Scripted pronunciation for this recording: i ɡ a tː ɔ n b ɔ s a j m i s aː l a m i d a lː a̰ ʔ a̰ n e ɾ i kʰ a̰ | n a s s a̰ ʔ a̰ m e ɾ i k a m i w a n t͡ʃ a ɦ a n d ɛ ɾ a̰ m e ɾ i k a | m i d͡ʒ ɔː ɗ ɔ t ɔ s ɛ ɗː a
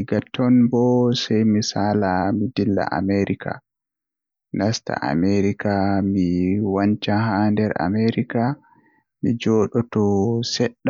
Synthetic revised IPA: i ɡ a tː ɔ n b ɔ s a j m i s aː l a m i d i lː a̰ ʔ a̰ m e ɾ i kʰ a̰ | n a s t a̰ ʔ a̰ m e ɾ i k a m i w a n t͡ʃ a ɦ a n d ɛ ɾ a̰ m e ɾ i k a | m i d͡ʒ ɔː ɗ ɔ t ɔ s ɛ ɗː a